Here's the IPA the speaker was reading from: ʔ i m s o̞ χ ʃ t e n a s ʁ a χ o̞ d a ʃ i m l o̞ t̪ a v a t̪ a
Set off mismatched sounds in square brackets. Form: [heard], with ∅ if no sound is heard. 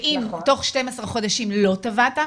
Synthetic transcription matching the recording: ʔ i m [t] o̞ χ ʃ t e [m] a s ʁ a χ o̞ d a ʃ i m l o̞ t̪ a v a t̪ a